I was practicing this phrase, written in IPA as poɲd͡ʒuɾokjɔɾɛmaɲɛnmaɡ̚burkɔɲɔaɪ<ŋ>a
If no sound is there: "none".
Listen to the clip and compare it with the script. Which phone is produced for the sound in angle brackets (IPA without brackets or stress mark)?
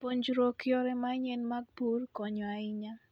ɲ